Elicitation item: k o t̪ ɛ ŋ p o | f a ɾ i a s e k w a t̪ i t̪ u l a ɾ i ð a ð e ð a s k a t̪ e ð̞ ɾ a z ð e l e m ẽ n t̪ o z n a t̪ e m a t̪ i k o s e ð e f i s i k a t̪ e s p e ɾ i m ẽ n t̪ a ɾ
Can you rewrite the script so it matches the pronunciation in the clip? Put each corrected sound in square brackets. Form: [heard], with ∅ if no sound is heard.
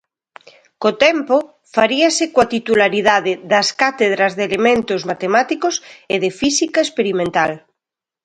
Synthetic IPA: k o t̪ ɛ [m] p o | f a ɾ i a s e k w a t̪ i t̪ u l a ɾ i ð a ð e ð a s k a t̪ e ð̞ ɾ a z ð e l e m ẽ n t̪ o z [m] a t̪ e m a t̪ i k o s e ð e f i s i k a [∅] e s p e ɾ i m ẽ n t̪ a [l]